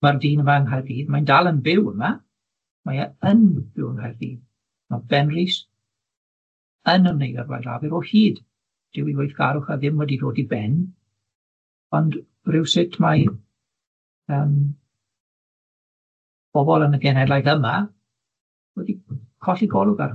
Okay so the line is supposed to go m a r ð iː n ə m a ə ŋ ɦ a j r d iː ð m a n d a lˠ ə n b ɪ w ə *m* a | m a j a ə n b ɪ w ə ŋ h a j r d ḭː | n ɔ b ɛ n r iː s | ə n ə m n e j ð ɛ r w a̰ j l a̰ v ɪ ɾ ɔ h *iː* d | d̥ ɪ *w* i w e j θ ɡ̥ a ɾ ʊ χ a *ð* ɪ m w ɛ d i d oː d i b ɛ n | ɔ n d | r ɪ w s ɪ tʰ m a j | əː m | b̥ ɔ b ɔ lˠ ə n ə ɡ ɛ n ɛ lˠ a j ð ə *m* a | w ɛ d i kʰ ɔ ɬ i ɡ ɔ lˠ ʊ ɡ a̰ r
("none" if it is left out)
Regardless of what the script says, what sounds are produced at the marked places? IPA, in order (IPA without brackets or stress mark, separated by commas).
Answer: m, iː, w, ð, m